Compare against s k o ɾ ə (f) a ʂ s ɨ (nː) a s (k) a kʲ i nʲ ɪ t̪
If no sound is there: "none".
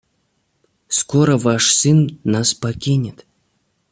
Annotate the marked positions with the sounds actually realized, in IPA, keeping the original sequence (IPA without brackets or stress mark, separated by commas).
v, nː, p